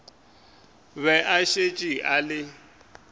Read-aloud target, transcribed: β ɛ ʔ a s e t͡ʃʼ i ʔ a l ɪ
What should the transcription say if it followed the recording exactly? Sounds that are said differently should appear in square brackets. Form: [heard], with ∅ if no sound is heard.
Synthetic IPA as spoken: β ɛ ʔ a [ʃ] e t͡ʃʼ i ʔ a l ɪ